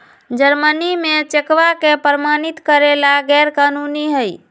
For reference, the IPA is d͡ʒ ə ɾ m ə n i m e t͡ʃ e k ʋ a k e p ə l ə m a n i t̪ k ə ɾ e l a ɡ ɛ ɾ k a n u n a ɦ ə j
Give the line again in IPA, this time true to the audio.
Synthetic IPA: d͡ʒ ə ɾ m ə n i m e t͡ʃ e k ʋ a k e p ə ɾ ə m a n i t̪ k ə ɾ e l a ɡ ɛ ɾ k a n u n i ɦ ə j